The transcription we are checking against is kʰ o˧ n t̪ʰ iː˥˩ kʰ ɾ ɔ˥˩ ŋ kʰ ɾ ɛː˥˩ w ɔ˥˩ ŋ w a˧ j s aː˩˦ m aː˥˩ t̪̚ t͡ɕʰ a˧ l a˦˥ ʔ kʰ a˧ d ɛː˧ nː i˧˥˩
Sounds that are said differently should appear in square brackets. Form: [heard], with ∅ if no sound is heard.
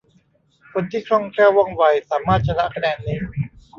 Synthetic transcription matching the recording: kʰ o˧ n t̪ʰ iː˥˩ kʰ ɾ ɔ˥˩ ŋ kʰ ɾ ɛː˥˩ w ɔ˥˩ ŋ w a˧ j s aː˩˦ m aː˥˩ t̪̚ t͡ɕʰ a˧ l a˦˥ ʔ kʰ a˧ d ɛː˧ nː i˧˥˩

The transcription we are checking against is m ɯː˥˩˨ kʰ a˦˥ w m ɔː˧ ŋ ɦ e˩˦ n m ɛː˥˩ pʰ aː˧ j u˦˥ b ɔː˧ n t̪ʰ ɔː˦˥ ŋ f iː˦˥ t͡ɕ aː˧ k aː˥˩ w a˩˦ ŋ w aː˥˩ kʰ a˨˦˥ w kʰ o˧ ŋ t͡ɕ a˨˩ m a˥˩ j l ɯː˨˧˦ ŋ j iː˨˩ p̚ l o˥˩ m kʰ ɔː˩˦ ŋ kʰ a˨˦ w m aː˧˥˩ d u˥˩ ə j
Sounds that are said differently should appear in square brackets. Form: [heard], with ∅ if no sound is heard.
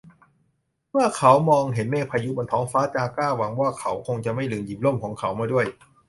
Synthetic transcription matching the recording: m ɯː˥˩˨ kʰ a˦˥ w m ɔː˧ ŋ ɦ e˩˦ n m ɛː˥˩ pʰ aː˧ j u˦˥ b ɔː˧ n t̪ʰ ɔː˦˥ ŋ f [aː˦˥] t͡ɕ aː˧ k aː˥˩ w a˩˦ ŋ w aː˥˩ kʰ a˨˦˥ w kʰ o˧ ŋ t͡ɕ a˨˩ m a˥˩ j l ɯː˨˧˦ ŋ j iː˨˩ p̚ l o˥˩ m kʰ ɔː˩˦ ŋ kʰ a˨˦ w m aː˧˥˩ d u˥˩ ə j

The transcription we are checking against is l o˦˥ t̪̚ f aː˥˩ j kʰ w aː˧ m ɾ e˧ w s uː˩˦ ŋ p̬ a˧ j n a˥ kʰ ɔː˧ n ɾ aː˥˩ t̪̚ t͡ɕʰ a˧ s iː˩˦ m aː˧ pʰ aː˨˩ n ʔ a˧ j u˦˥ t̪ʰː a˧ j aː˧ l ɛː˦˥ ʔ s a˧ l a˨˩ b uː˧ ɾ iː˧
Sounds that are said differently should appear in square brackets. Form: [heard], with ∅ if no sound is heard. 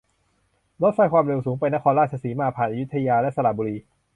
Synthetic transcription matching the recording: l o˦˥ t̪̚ f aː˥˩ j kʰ w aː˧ m ɾ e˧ w s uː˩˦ ŋ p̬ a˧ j n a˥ kʰ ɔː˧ n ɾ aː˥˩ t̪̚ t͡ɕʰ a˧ s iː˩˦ m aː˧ pʰ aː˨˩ n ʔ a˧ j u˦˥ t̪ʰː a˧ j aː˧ l [ɛ˦˥] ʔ s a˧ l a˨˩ b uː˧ ɾ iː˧

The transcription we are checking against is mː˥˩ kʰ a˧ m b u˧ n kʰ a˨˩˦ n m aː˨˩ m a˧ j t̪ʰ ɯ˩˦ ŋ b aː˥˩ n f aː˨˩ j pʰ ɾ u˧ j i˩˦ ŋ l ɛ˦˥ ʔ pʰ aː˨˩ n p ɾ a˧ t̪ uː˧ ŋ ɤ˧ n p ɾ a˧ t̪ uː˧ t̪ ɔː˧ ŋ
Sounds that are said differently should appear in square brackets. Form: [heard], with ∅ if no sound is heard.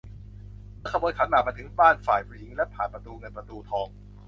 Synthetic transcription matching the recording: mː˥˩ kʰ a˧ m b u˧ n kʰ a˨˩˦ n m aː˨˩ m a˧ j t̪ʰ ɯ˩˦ ŋ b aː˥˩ n f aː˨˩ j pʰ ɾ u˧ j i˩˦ ŋ l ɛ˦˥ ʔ pʰ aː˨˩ n p ɾ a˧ t̪ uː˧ ŋ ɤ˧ n p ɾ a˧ t̪ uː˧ [t̪ʰ] ɔː˧ ŋ

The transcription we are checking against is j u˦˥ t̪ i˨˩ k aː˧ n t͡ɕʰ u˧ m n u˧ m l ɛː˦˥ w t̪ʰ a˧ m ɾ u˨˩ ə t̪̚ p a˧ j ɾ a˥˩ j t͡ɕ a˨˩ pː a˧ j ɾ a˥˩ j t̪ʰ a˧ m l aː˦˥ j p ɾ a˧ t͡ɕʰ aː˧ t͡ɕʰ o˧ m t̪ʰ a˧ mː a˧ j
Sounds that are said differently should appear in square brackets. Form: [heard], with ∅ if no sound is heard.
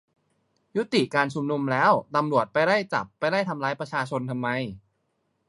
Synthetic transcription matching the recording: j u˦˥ t̪ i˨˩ k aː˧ n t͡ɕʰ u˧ m n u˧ m l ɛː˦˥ w [t̪] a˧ m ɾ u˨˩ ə t̪̚ p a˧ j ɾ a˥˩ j t͡ɕ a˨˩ pː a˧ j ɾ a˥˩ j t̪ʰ a˧ m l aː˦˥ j p ɾ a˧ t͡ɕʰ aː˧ t͡ɕʰ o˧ [n] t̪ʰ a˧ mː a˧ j

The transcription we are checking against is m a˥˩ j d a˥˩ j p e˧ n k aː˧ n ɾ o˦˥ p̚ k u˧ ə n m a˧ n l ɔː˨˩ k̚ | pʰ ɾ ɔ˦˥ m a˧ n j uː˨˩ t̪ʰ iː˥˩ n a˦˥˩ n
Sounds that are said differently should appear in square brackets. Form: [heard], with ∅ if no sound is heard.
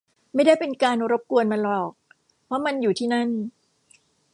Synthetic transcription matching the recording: m a˥˩ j d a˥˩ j p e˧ n k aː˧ n ɾ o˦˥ p̚ k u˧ ə n m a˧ n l ɔː˨˩ k̚ | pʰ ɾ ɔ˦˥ m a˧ n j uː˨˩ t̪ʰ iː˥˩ n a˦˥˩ n

